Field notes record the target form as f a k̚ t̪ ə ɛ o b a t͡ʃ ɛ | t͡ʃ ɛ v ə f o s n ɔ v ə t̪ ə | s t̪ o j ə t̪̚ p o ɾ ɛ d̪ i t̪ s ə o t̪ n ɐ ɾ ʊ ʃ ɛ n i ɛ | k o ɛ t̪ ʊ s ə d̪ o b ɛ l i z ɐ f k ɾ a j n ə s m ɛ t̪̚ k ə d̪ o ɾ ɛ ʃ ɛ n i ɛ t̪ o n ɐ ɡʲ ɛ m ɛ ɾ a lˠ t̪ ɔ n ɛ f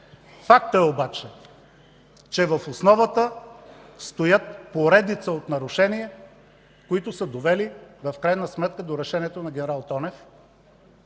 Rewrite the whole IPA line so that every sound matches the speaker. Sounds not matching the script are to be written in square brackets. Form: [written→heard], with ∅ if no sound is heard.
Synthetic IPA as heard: f a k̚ t̪ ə ɛ o b a t͡ʃ ɛ | t͡ʃ ɛ v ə f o s n ɔ v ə t̪ ə | s t̪ o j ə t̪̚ p o ɾ ɛ d̪ i t̪ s ə o t̪ n ɐ ɾ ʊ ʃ ɛ n i ɛ | k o [ɛ→i] t̪ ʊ s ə d̪ o [b→v] ɛ l i [z→v] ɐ f k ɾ a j n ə s m ɛ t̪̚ k ə d̪ o ɾ ɛ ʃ ɛ n i ɛ t̪ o n ɐ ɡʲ ɛ [m→n] ɛ ɾ a lˠ t̪ ɔ n ɛ f

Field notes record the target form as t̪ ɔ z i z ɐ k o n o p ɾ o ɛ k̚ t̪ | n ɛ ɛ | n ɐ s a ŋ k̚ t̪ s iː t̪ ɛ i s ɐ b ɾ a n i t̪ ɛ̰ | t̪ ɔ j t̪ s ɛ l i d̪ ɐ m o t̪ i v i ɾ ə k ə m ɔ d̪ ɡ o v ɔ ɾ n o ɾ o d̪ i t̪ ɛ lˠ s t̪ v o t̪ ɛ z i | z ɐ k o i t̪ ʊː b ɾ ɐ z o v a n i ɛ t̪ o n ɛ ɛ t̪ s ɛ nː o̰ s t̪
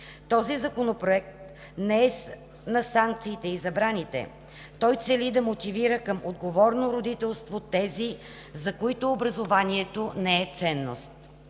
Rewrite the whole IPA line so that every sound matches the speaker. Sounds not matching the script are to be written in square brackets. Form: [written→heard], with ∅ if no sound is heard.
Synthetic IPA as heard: t̪ ɔ z i z ɐ k o n o p ɾ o ɛ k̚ t̪ | n ɛ ɛ | n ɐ s a ŋ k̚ t̪ s iː t̪ ɛ i [s→z] ɐ b ɾ a n i t̪ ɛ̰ | t̪ ɔ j t̪ s ɛ l i d̪ ɐ m o t̪ i v i ɾ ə k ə m [ɔ→o] d̪ ɡ o v ɔ ɾ n o ɾ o d̪ i t̪ ɛ lˠ s t̪ v o t̪ ɛ z i | z ɐ k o i t̪ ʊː b ɾ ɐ z o v a n i ɛ t̪ o n ɛ ɛ t̪ s ɛ nː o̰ s t̪

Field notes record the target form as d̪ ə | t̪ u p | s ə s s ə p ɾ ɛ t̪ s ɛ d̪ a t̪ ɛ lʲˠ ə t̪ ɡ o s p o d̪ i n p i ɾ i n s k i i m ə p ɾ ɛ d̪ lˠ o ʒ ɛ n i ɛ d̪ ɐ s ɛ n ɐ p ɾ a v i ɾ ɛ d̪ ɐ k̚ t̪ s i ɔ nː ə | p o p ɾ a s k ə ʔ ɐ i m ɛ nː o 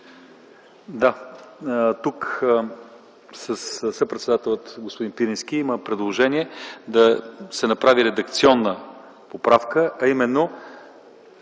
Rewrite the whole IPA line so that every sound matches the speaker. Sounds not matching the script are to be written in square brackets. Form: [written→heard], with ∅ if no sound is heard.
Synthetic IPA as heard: d̪ [ə→a] | t̪ u [p→k] | s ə s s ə p ɾ ɛ t̪ s ɛ d̪ a t̪ ɛ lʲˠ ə t̪ ɡ o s p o d̪ i n p i ɾ i n s k i i m ə p ɾ ɛ d̪ lˠ o ʒ ɛ n i ɛ d̪ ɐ s ɛ n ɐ p ɾ a v i ɾ ɛ d̪ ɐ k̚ t̪ s i ɔ nː ə | p o p ɾ a [s→f] k ə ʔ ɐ i m ɛ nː o

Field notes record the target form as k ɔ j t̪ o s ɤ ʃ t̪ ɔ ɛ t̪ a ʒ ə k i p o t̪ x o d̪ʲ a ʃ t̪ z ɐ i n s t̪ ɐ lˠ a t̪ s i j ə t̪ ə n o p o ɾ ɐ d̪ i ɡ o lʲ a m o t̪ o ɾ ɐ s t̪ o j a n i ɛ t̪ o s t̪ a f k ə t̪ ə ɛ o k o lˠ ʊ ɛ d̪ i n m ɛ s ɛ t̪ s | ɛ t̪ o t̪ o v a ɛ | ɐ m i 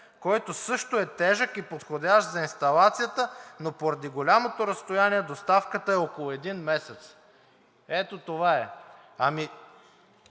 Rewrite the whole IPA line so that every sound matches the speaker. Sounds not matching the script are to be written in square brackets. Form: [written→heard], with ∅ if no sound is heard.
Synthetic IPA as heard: k ɔ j t̪ o s ɤ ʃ t̪ [ɔ→o] ɛ t̪ [a→ɛ] ʒ ə k i p o t̪ x o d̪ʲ a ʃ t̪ z ɐ i n s t̪ ɐ lˠ a t̪ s i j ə t̪ ə n o p o ɾ ɐ d̪ i ɡ o lʲ a m o t̪ o ɾ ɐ s t̪ o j a n i ɛ [t̪→d̪] o s t̪ a f k ə t̪ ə ɛ o k o lˠ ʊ ɛ d̪ i n m ɛ s ɛ t̪ s | ɛ t̪ o t̪ o v a ɛ | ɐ m i

